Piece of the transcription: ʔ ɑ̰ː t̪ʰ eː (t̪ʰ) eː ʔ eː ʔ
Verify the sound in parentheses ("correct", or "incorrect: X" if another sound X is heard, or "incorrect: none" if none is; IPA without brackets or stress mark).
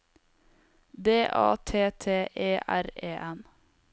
correct